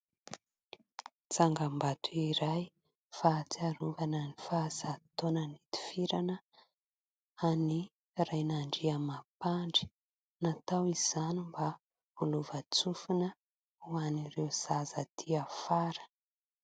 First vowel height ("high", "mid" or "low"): low